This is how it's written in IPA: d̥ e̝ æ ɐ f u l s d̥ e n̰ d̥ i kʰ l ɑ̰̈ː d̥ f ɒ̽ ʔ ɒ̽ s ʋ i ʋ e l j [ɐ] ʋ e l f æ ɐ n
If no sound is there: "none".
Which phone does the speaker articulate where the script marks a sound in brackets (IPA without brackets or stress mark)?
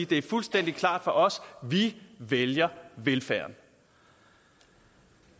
ɐ